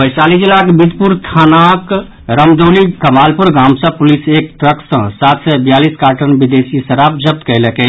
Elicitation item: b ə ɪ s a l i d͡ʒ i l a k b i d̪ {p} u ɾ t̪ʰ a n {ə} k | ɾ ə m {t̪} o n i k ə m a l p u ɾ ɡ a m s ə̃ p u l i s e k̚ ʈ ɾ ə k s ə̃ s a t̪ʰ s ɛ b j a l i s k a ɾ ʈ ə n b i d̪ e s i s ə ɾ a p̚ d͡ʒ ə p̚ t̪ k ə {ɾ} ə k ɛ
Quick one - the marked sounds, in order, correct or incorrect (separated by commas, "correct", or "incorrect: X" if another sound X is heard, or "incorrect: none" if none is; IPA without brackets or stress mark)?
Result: correct, incorrect: a, incorrect: d̪, incorrect: l